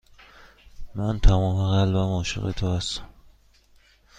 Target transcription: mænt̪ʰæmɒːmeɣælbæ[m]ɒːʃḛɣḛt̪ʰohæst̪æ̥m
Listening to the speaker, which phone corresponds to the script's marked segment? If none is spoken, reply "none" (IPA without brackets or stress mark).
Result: m